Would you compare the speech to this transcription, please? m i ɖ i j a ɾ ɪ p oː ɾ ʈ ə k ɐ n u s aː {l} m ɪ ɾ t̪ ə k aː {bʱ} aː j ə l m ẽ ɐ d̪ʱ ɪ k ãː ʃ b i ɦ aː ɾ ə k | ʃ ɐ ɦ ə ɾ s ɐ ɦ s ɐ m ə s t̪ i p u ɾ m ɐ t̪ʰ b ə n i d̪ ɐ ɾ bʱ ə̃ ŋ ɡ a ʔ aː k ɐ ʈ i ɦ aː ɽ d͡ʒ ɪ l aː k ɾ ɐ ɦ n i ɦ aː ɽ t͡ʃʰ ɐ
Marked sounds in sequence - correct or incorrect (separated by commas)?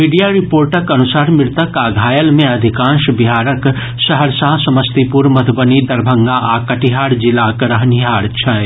incorrect, incorrect